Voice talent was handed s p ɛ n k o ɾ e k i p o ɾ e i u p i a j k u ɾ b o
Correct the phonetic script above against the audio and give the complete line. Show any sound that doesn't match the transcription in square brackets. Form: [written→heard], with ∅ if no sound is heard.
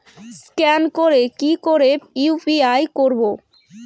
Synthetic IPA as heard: s [p→k] ɛ n k o ɾ e k i [p→k] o ɾ e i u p i a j k [u→o] ɾ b o